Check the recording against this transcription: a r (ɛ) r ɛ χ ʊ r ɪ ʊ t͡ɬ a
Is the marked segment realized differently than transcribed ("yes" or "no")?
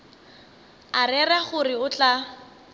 no